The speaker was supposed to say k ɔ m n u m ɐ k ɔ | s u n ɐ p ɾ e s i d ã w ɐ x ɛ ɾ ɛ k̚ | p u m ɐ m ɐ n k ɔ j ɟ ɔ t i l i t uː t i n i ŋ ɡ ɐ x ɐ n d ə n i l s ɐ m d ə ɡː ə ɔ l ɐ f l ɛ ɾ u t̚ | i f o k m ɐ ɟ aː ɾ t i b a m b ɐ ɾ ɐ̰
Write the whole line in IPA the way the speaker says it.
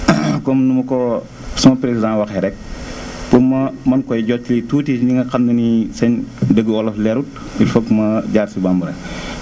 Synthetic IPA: k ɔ m n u m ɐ k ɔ | s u m ɐ p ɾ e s i d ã w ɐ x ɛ ɾ ɛ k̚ | p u m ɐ m ɐ n k ɔ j ɟ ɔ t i l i t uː t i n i ŋ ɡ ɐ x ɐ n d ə n i s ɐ ɲ d ə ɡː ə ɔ l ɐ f l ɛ ɾ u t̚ | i f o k m ɐ ɟ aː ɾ s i b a m b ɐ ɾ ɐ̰